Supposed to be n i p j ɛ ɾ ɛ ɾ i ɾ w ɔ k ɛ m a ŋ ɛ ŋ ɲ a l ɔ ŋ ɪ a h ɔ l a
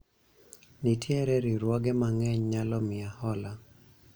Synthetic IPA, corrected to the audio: n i t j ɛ ɾ ɛ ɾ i ɾ w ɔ ɡ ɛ m a ŋ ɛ ɲ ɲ a l ɔ m ɪ a h ɔ l a